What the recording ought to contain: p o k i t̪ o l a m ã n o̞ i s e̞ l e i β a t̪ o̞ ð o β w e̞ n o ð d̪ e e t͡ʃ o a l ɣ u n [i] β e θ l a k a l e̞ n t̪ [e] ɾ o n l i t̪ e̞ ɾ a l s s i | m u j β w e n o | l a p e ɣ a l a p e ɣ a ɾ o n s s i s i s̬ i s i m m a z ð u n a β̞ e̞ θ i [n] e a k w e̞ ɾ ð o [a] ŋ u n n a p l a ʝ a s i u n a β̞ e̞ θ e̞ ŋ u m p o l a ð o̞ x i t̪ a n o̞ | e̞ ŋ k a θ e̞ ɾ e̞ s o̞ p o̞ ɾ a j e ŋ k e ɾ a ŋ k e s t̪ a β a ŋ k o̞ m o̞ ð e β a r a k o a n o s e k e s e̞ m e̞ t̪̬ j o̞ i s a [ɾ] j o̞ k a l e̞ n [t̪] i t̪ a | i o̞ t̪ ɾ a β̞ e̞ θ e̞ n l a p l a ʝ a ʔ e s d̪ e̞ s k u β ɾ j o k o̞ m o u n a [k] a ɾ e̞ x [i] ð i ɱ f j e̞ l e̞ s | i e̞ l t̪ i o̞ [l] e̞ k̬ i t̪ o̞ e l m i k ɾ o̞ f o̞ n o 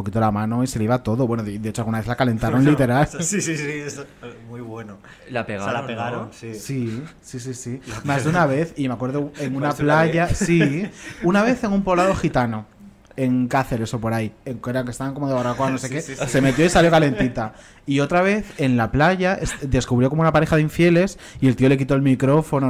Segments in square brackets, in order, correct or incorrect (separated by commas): incorrect, incorrect, incorrect, incorrect, incorrect, correct, incorrect, incorrect, correct